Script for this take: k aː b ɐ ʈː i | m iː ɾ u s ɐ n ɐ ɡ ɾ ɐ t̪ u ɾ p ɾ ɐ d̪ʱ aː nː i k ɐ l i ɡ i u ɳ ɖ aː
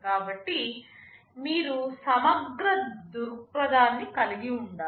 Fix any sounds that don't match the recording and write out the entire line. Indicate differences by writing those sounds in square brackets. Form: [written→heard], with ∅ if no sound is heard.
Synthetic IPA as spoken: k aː b ɐ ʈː i | m iː ɾ u s ɐ [n→m] ɐ ɡ ɾ ɐ [t̪→d̪] u ɾ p ɾ ɐ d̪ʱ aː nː i k ɐ l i ɡ i u ɳ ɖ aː